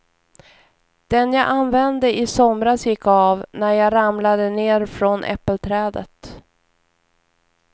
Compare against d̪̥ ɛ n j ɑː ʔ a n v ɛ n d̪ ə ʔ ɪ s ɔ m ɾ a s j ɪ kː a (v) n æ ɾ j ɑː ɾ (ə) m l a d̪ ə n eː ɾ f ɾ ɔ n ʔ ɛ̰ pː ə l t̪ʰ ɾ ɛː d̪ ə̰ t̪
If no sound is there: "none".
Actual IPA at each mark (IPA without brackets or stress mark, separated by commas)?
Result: v, a